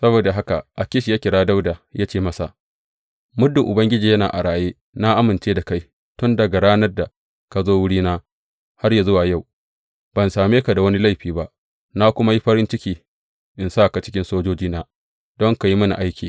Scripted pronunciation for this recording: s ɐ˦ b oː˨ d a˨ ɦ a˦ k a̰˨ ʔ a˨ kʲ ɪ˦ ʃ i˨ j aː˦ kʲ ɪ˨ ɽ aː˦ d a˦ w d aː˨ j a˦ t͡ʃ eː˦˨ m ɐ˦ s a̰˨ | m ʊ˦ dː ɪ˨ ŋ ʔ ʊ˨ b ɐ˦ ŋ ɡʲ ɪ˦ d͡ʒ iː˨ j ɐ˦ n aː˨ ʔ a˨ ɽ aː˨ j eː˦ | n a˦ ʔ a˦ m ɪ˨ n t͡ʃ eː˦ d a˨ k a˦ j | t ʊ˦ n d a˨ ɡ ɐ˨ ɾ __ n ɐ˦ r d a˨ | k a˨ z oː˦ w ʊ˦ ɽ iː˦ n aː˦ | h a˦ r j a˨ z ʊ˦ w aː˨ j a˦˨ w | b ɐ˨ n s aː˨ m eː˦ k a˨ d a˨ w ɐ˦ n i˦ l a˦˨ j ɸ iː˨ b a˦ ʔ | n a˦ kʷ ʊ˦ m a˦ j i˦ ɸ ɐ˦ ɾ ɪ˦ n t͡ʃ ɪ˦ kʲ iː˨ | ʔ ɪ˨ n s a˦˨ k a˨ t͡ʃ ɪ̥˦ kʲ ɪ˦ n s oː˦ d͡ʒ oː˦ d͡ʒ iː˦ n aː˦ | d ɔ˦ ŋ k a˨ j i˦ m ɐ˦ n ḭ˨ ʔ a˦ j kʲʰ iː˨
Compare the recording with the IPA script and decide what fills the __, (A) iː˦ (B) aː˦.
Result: B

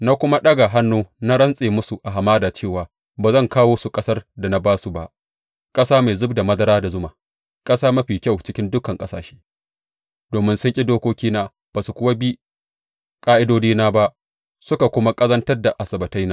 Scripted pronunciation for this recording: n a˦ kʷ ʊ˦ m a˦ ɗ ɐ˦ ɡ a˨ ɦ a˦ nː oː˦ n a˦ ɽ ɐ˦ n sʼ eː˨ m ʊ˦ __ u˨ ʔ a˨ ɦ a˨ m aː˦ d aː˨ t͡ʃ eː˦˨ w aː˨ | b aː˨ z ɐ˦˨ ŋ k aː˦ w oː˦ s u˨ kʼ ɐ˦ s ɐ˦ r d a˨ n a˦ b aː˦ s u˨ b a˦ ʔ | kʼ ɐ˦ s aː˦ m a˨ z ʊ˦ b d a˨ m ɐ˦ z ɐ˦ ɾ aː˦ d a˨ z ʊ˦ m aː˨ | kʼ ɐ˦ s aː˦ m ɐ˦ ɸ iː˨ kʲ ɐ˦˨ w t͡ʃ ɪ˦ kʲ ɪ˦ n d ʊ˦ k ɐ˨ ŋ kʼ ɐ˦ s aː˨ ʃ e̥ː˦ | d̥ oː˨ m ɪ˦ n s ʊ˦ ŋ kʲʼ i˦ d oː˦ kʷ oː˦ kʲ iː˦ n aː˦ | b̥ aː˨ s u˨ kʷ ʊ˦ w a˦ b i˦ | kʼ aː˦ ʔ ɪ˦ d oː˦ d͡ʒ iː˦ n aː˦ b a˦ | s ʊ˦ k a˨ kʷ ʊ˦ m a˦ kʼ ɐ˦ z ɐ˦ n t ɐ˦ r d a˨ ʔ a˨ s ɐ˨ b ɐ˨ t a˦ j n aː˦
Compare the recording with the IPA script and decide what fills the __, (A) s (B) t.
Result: A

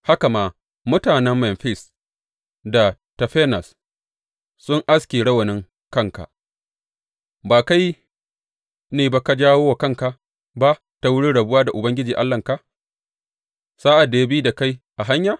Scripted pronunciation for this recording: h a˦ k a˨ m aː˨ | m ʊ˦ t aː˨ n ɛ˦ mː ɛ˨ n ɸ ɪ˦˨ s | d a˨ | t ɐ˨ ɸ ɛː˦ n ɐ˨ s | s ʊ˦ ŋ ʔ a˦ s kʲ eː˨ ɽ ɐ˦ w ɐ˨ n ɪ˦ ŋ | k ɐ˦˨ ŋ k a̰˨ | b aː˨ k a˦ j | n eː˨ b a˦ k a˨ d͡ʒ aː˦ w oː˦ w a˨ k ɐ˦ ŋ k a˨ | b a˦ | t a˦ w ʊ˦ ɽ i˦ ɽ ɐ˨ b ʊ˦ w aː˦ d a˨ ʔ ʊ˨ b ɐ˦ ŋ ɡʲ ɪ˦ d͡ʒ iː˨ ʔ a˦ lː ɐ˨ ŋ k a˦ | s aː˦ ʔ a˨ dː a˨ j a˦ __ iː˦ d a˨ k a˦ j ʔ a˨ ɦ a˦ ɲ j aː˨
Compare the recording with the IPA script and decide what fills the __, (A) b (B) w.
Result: A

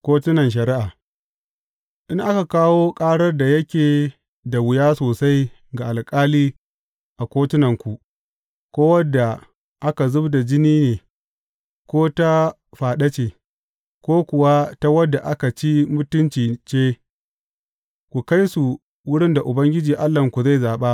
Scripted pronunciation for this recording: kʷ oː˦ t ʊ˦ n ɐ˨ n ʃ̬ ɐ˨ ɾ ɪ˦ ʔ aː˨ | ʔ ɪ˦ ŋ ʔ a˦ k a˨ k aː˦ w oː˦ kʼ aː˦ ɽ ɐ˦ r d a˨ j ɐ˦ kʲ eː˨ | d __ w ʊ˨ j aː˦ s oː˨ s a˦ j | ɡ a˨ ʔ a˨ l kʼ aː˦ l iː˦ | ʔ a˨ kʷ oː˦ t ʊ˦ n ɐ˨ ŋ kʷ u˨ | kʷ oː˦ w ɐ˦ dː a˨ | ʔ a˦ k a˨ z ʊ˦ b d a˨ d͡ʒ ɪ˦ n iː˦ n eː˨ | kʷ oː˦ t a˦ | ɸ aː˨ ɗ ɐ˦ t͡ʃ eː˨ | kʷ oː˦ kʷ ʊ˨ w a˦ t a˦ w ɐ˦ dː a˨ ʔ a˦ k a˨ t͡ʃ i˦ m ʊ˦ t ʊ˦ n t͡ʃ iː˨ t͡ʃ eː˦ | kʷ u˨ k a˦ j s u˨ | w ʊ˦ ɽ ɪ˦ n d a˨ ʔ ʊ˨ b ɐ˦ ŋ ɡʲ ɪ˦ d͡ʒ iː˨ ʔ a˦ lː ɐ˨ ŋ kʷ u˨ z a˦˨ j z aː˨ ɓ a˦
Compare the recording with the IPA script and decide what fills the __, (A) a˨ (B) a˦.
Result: A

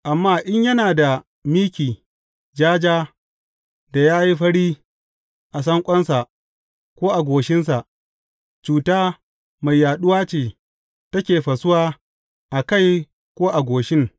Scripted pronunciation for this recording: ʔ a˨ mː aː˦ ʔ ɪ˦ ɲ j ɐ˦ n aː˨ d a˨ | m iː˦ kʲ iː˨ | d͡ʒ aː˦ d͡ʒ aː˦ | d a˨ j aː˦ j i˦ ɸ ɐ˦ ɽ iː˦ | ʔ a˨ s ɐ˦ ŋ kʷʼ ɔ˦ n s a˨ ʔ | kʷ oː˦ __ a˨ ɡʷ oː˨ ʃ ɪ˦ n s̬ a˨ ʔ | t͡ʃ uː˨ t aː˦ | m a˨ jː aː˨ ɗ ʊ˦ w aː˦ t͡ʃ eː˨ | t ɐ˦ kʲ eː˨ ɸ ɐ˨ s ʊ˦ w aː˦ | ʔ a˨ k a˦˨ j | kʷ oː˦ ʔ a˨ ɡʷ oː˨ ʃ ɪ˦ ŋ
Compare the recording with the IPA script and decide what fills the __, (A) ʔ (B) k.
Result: A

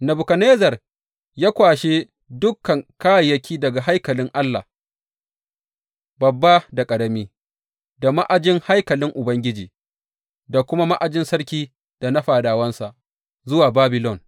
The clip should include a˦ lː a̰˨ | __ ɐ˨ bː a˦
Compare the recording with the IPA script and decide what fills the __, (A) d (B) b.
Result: B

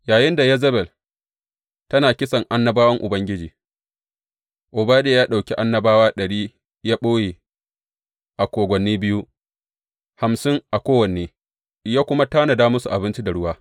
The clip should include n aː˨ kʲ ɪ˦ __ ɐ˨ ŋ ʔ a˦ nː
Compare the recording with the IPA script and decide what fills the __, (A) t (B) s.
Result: B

